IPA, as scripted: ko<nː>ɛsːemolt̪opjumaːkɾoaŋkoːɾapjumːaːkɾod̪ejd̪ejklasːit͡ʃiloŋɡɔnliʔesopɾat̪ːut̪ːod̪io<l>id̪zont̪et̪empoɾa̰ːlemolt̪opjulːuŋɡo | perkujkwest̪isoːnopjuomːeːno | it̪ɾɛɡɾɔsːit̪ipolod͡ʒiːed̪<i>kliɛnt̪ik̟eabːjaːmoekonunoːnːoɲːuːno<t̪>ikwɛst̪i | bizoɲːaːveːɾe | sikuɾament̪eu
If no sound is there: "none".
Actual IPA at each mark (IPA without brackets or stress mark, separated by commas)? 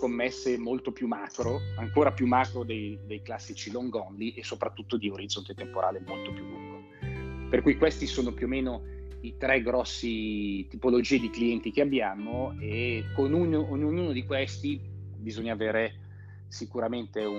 mː, ɾ, i, d̪